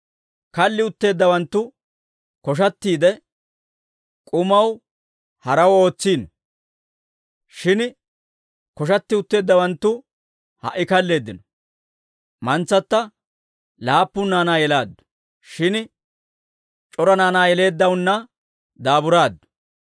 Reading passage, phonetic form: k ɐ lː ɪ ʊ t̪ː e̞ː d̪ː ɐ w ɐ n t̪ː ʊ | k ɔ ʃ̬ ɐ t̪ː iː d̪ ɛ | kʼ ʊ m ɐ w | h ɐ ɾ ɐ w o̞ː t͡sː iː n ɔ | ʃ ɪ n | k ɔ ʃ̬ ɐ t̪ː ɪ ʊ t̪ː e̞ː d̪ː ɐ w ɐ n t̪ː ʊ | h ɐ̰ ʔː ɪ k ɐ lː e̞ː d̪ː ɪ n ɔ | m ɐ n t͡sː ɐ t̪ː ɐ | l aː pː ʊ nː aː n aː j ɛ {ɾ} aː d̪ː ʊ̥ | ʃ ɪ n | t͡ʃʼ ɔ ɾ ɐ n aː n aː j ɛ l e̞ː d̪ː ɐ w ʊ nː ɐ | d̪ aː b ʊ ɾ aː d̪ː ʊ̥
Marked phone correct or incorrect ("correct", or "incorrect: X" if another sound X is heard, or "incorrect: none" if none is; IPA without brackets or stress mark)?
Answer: incorrect: l